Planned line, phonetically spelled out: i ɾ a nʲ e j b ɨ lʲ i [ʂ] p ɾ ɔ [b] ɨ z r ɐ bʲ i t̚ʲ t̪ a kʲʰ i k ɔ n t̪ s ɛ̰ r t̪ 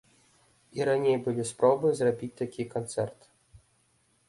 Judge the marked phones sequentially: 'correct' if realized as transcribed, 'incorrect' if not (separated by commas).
incorrect, correct